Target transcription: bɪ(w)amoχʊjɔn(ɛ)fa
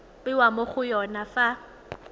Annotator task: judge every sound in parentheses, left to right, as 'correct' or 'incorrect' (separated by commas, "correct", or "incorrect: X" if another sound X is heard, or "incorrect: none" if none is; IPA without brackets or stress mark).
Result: correct, incorrect: a